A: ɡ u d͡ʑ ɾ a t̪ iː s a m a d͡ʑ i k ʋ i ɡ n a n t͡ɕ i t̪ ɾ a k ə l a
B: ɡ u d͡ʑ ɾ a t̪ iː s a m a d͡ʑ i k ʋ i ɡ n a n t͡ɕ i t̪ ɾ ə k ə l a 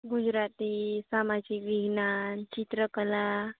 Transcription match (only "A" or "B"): B